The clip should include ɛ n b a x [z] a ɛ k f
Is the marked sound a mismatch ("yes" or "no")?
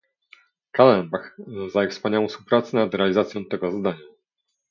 no